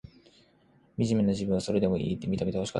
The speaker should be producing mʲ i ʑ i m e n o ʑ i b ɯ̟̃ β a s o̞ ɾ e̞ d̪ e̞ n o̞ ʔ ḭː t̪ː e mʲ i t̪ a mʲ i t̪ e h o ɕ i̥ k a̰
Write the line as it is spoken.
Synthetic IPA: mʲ i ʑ i m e n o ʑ i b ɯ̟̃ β a s o̞ ɾ e̞ d̪ e̞ m o̞ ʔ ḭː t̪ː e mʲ i t̪ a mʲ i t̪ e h o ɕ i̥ k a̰